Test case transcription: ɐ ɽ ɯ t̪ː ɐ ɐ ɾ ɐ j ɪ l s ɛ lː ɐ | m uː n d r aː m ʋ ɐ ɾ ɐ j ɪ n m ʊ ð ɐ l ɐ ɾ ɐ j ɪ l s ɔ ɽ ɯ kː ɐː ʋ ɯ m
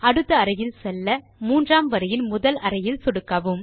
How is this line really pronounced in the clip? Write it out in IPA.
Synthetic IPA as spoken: ɐ ɽ ɯ t̪ː ɐ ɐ ɾ ɐ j ɪ l s ɛ lː ɐ | m uː n d r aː m ʋ ɐ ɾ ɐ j ɪ n m ʊ ð ɐ l ɐ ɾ ɐ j ɪ l s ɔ ɽ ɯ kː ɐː ʋ ɯ m